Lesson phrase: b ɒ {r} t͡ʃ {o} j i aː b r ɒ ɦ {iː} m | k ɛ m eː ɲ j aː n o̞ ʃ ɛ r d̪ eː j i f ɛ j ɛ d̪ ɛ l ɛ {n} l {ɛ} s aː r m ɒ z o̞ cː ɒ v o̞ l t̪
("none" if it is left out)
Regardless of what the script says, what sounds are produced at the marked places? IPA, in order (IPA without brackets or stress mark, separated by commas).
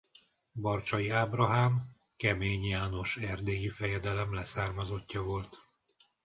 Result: r, ɒ, aː, m, ɛ